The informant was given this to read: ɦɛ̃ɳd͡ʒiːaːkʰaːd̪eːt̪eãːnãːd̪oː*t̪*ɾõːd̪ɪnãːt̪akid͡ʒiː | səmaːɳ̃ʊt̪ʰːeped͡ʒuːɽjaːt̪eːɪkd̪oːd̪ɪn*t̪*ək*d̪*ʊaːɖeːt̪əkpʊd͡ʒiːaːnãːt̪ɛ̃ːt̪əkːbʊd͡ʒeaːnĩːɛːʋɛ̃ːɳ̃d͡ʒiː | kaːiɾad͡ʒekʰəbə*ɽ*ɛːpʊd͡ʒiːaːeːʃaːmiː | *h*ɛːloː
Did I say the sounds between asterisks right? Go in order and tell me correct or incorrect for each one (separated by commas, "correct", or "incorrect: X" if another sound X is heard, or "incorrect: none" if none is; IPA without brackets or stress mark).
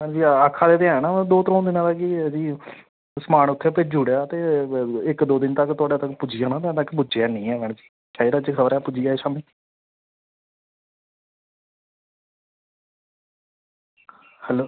correct, correct, incorrect: t̪, incorrect: ɾ, correct